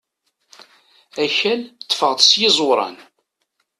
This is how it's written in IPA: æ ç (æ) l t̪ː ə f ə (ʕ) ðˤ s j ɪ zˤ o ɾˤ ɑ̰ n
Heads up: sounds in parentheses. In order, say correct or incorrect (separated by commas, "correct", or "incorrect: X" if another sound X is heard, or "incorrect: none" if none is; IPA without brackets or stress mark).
correct, incorrect: ʁ